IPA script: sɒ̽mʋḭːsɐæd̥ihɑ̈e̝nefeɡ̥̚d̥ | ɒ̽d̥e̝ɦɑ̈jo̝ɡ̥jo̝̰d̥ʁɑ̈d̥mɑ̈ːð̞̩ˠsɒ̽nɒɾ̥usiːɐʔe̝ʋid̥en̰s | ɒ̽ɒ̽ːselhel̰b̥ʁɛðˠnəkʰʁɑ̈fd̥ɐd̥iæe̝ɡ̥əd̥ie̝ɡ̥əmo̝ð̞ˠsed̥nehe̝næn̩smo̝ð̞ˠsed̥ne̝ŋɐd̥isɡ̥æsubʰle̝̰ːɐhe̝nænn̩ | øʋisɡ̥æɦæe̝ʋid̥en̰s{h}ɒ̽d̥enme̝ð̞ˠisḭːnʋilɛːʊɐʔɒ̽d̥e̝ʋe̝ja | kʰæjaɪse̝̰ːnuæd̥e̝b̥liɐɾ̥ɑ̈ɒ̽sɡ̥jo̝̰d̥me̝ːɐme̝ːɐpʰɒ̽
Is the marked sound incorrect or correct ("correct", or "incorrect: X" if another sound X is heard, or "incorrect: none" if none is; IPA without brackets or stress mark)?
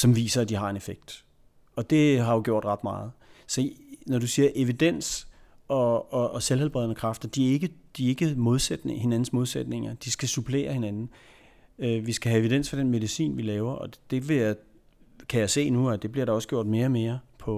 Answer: incorrect: f